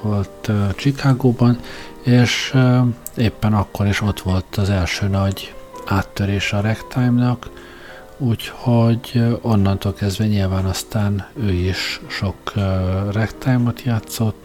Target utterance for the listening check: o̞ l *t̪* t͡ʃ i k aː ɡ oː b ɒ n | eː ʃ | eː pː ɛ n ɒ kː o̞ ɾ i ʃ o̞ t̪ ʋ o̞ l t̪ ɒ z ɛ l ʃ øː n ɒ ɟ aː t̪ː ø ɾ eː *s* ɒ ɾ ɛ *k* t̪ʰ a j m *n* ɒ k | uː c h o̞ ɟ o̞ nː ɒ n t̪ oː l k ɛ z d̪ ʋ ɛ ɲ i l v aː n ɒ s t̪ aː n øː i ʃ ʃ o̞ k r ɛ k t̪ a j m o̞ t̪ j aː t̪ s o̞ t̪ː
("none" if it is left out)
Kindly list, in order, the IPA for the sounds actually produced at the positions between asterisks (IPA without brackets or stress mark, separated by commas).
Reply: t̪, ʃ, k, n